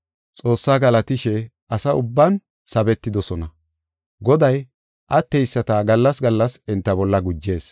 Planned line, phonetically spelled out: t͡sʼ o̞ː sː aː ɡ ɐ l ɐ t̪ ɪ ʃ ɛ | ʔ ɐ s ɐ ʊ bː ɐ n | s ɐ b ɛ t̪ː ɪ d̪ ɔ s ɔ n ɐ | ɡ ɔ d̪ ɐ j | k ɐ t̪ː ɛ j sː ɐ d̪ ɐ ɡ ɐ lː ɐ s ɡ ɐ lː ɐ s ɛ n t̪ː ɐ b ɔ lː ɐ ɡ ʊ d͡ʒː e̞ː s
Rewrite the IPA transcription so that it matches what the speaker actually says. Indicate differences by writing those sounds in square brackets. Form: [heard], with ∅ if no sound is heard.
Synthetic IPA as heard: t͡sʼ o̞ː sː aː ɡ ɐ l ɐ t̪ ɪ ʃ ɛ | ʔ ɐ s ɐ ʊ bː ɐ n | s ɐ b ɛ t̪ː ɪ d̪ ɔ s ɔ n ɐ | ɡ ɔ d̪ ɐ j | [ʔ] ɐ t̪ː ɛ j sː ɐ [t̪] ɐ ɡ ɐ lː ɐ s ɡ ɐ lː ɐ s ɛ n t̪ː ɐ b ɔ lː ɐ ɡ ʊ d͡ʒː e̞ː s